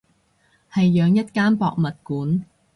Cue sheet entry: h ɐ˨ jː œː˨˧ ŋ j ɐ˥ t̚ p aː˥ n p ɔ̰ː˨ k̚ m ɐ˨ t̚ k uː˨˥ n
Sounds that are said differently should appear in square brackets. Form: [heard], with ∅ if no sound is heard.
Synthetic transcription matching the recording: h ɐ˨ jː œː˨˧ ŋ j ɐ˥ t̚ [k] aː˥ n p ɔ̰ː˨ k̚ m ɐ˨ t̚ k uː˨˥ n